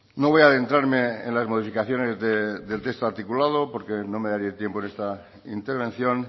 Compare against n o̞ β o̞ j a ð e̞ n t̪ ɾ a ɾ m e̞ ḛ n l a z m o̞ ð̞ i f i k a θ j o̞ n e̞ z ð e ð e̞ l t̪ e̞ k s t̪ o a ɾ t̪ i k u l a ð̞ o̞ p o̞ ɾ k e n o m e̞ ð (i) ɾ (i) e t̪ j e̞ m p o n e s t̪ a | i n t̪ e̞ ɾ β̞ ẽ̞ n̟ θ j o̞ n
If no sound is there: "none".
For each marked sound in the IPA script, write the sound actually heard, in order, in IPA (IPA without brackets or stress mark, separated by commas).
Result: a, i